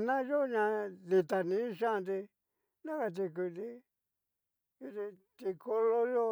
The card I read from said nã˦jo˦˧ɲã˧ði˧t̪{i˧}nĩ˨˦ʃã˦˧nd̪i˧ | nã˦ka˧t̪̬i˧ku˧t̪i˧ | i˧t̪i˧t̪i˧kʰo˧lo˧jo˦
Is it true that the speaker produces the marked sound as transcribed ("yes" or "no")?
no